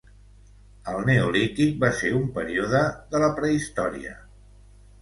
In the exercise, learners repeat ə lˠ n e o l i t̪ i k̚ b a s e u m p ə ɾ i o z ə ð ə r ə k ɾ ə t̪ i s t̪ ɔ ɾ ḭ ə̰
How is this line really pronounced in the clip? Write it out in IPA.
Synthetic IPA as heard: ə lˠ n e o l i t̪ i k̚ b a s e u m p ə ɾ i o ð ə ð ə l ə p ɾ ə i s t̪ ɔ ɾ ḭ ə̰